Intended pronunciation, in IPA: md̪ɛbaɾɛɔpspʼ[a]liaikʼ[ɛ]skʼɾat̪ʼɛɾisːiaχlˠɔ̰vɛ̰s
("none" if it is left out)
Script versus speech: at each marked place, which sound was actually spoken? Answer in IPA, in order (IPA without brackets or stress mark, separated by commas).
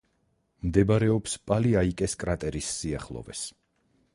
a, ɛ